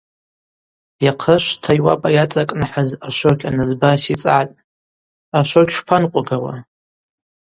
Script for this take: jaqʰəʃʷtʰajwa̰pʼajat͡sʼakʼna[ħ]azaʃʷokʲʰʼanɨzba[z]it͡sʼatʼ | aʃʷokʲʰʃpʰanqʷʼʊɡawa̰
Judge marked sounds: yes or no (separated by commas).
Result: yes, no